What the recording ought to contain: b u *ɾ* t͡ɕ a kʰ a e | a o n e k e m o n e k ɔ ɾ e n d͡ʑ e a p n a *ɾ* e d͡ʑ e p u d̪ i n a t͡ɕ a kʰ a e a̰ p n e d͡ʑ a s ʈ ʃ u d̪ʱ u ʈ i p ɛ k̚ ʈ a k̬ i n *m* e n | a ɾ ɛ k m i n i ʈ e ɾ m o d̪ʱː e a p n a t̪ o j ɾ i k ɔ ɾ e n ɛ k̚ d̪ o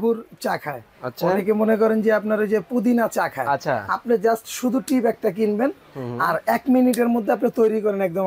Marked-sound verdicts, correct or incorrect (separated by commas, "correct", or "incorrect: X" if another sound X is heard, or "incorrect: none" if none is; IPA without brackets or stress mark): correct, correct, incorrect: b